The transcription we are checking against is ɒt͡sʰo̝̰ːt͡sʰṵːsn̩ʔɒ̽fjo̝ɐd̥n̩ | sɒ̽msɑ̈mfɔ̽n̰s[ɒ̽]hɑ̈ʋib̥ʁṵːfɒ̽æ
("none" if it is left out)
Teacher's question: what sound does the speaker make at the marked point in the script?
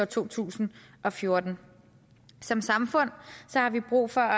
ɒ̽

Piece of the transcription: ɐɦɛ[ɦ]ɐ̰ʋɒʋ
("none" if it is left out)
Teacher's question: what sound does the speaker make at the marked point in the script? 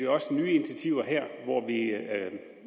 none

